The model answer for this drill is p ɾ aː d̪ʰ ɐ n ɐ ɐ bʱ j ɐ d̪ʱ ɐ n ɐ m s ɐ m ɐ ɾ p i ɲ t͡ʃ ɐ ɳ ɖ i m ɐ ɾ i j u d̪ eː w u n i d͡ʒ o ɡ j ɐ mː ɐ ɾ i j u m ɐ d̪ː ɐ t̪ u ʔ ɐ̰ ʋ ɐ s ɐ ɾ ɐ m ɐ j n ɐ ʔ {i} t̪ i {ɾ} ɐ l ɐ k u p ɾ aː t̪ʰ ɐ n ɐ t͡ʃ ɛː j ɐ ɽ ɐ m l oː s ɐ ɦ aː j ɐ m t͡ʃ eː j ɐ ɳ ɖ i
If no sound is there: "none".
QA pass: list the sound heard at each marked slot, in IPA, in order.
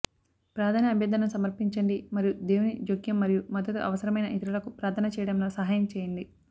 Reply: i, ɾ

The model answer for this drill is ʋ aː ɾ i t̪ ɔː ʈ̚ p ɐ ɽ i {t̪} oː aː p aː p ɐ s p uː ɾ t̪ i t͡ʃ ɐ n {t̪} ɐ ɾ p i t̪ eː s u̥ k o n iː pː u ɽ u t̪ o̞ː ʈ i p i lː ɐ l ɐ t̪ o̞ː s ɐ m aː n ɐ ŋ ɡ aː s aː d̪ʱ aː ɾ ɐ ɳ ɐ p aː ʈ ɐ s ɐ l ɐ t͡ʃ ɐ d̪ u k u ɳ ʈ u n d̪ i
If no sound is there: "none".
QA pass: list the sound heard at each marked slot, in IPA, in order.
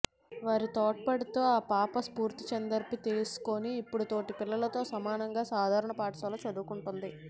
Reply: t̪, d̪

